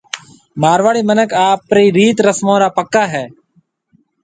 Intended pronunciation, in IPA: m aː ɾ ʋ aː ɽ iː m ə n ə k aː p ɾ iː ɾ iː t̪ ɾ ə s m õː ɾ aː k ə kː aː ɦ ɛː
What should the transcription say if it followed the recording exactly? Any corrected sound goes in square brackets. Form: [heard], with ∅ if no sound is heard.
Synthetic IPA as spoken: m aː ɾ ʋ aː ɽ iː m ə n ə k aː p ɾ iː ɾ iː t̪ ɾ ə s m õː ɾ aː [p] ə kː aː ɦ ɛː

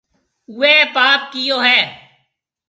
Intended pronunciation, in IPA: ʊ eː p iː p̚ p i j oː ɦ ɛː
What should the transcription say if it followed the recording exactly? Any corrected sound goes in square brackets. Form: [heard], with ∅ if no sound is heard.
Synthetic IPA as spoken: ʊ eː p [aː] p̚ [k] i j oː ɦ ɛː

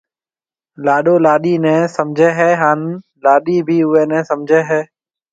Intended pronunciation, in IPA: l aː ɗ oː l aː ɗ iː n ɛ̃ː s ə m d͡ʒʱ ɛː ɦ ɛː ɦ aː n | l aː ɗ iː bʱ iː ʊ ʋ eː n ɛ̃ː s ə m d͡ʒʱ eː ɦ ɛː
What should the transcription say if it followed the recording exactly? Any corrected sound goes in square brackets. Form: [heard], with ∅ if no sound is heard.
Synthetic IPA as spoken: l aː ɗ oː l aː ɗ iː n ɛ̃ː s ə m d͡ʒʱ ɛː ɦ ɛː ɦ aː n | l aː ɗ iː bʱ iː ʊ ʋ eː n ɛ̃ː s ə m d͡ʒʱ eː ɦ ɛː

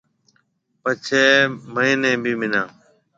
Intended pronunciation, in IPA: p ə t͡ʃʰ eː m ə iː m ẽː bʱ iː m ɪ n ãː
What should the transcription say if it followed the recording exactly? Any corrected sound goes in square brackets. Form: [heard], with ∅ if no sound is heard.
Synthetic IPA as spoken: p ə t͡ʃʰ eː m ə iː [n] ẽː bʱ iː m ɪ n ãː

